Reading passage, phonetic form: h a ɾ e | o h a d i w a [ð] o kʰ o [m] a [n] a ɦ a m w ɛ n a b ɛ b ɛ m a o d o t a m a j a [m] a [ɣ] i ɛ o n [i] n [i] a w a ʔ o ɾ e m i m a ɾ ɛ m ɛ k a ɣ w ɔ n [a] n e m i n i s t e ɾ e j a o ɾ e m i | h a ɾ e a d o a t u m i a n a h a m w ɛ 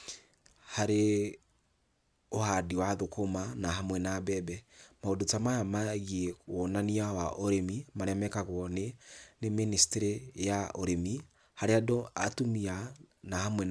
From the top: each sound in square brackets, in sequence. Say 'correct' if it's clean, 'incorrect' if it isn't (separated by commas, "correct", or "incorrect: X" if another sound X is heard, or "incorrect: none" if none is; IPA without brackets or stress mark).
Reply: correct, correct, correct, correct, correct, incorrect: a, correct, incorrect: e